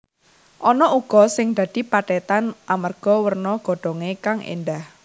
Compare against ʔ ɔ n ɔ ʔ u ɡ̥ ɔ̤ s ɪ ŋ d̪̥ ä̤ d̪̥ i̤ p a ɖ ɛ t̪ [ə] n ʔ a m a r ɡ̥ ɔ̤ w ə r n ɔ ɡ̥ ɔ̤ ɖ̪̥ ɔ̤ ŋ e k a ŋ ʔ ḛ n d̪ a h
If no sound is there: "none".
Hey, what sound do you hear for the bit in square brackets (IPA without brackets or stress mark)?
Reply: a